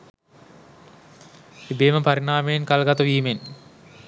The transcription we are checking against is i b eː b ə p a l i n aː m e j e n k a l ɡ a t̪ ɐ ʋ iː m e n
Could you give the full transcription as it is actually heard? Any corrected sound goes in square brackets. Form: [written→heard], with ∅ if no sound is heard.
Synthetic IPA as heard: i b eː [b→m] ə p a [l→ɾ] i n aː m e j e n k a l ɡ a t̪ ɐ ʋ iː m e n